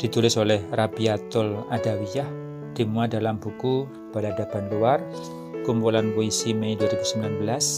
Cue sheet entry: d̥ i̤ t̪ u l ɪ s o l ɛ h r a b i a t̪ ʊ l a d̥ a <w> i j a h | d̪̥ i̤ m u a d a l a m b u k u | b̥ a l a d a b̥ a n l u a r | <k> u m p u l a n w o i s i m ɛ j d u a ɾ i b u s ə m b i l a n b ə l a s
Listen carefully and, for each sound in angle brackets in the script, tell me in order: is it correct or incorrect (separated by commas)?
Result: correct, correct